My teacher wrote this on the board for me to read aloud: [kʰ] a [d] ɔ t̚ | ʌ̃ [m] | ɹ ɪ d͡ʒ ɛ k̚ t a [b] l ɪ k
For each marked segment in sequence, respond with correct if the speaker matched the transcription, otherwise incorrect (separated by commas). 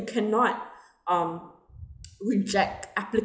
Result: correct, incorrect, correct, incorrect